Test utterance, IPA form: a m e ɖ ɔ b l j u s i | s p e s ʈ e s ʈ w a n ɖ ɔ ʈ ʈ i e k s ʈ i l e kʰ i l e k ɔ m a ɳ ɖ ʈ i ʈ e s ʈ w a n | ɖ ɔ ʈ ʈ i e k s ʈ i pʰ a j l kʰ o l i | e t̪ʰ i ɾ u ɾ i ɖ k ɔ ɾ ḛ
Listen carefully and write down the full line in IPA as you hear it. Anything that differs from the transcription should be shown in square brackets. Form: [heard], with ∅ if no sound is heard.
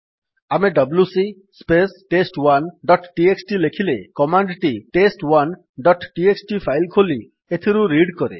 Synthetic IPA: a m e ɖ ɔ b l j u s i | s p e s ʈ e s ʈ w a n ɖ ɔ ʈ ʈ i e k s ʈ i l e kʰ i l e k ɔ m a ɳ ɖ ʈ i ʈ e s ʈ w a n | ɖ ɔ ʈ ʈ i e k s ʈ i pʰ a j l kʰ o l i | e t̪ʰ i ɾ u ɾ i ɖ k ɔ ɾ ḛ